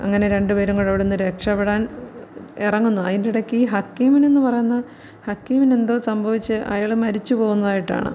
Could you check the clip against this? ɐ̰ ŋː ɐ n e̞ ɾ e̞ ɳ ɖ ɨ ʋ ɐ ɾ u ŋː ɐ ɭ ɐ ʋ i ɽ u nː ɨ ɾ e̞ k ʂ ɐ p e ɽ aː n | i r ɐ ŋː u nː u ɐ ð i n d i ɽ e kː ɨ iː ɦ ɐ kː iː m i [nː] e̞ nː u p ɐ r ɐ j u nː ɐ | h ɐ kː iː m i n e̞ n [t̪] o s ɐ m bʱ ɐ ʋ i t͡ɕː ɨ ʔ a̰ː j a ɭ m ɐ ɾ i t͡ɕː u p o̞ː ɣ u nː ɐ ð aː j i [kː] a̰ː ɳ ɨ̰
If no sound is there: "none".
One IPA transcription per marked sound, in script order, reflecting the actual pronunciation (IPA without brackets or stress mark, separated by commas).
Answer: n, d̪, ʈː